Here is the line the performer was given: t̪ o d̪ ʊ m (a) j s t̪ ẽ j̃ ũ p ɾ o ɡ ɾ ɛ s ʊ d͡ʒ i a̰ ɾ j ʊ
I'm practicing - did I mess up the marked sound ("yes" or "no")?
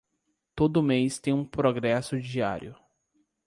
yes